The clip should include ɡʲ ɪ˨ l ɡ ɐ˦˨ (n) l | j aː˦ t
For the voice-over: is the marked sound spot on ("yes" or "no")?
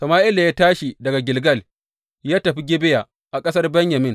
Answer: no